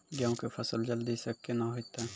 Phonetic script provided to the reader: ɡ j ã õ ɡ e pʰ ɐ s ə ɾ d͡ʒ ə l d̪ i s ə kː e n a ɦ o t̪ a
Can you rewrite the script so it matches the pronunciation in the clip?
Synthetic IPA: ɡ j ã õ k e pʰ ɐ s ə l d͡ʒ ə l d̪ i s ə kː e n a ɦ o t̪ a